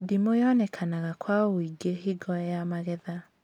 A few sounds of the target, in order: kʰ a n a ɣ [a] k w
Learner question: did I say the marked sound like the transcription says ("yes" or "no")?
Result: yes